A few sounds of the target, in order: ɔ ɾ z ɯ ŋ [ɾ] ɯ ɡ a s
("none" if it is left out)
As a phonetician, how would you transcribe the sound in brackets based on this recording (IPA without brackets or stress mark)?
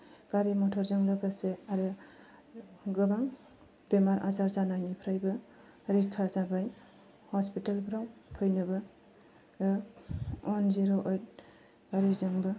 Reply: l